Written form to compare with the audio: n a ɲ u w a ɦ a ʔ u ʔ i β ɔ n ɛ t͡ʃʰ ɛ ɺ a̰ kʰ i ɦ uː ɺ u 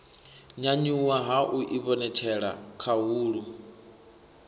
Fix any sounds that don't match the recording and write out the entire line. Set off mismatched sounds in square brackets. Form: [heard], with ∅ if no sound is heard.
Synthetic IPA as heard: [ɲ] a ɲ u w a ɦ a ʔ u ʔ i β ɔ n ɛ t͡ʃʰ ɛ ɺ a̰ kʰ [a] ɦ uː ɺ u